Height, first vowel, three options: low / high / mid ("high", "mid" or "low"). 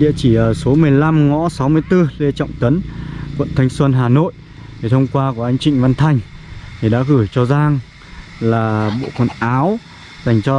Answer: high